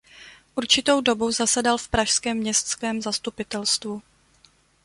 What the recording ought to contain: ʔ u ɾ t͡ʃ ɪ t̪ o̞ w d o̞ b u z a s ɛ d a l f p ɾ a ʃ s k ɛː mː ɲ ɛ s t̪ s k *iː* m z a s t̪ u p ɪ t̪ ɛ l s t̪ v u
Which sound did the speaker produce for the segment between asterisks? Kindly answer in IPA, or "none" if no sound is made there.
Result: ɛː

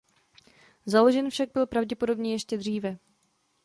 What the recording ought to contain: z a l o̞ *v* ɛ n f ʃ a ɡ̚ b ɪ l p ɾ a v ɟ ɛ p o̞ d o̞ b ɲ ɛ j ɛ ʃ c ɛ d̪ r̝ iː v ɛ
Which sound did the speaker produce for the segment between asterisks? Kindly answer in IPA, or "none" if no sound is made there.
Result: ʒ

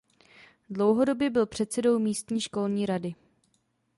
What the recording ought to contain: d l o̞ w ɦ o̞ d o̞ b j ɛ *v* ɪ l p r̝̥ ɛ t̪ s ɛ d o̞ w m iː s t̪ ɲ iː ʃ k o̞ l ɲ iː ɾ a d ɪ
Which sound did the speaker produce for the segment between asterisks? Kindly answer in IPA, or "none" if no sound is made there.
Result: b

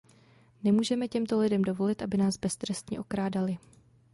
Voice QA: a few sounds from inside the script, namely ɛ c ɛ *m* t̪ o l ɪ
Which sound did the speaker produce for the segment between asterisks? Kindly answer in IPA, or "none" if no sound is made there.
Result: m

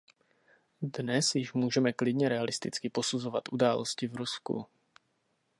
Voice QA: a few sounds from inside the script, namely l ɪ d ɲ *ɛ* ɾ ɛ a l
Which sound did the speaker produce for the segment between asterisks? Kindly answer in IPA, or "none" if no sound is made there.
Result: ɛ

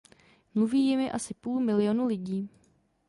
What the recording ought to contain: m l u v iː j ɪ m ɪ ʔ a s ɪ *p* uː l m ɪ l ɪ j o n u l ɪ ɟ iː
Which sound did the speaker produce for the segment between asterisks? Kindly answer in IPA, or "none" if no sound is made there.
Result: p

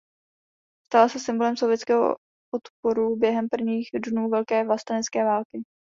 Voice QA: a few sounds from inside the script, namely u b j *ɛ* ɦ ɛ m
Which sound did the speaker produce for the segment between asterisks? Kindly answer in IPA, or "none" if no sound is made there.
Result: ɛ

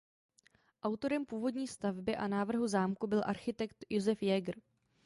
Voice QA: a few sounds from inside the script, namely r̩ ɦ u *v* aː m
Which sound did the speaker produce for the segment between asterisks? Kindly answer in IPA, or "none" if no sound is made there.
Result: z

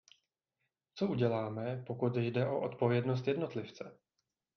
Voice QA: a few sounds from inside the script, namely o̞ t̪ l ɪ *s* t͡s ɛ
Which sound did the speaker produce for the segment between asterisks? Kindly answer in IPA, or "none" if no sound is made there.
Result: f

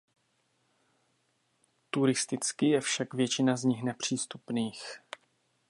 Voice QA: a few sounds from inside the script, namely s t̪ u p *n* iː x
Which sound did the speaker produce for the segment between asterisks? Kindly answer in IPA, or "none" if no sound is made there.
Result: n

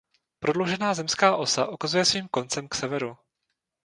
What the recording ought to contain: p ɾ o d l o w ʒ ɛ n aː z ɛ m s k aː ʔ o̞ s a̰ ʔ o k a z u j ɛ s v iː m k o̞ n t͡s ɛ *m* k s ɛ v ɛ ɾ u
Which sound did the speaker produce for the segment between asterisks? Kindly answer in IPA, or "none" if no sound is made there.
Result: m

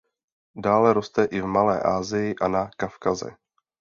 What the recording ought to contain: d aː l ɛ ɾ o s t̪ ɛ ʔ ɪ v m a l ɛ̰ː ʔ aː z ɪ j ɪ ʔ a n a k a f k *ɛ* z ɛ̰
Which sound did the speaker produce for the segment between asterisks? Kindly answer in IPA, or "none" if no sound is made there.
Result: a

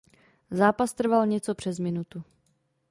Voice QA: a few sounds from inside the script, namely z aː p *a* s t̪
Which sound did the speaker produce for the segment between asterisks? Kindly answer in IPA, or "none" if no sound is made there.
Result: a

